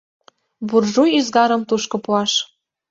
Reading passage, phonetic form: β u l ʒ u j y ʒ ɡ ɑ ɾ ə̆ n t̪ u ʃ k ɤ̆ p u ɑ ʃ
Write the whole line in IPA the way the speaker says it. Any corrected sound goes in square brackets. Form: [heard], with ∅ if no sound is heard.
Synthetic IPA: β u [r] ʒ u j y [z] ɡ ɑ ɾ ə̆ [m] t̪ u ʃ k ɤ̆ p u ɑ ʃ